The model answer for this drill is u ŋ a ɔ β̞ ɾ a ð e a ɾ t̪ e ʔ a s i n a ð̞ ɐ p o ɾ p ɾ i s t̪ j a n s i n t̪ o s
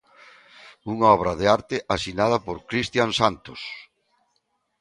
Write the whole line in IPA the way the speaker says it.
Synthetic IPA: u ŋ a ɔ β̞ ɾ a ð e a ɾ t̪ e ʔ a s i n a ð̞ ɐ p o ɾ k ɾ i s t̪ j a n s a n t̪ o s